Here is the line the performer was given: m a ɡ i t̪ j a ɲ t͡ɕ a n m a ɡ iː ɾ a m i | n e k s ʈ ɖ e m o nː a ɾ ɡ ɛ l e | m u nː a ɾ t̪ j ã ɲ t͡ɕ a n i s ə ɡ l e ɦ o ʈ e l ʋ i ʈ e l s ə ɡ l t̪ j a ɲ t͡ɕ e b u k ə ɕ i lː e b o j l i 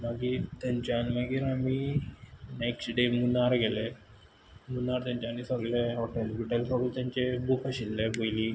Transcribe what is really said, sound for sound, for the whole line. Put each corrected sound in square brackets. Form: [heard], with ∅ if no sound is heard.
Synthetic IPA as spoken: m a ɡ i t̪ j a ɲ t͡ɕ a n m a ɡ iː ɾ a m i | n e k s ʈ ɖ e m [u] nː a ɾ ɡ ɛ l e | m u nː a ɾ t̪ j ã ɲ t͡ɕ a n i s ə ɡ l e ɦ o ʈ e l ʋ i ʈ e l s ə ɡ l t̪ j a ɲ t͡ɕ e b u k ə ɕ i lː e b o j l i